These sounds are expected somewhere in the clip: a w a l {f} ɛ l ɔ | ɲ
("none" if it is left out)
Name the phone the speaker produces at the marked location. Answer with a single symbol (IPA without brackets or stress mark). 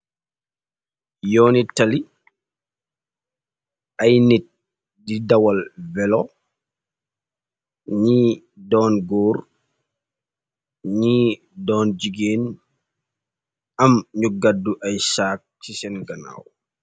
v